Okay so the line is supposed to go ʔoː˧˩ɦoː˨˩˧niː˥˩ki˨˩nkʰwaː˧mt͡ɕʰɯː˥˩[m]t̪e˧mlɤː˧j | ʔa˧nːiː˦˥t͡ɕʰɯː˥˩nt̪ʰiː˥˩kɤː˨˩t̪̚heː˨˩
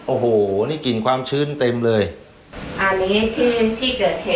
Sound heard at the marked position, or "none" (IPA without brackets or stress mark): n